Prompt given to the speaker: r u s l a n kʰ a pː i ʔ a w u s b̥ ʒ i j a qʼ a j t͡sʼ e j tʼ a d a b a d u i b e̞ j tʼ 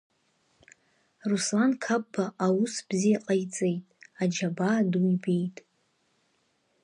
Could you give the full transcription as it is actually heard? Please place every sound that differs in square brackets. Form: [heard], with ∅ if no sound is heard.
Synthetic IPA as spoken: r u s l a n kʰ a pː [a] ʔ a w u s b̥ [z] i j a qʼ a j t͡sʼ e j tʼ a [d͡ʒ] a b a d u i b e̞ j tʼ